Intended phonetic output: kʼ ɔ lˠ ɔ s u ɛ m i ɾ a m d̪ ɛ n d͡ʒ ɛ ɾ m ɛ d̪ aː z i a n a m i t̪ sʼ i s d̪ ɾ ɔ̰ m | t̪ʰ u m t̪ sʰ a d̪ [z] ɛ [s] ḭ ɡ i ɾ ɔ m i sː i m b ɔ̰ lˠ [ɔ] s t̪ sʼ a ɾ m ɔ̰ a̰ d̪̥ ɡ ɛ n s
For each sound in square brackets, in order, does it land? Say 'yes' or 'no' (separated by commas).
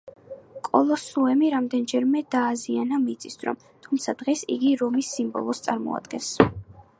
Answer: no, yes, yes